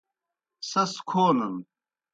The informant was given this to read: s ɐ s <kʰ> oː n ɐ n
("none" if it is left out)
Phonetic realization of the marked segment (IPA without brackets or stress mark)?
kʰ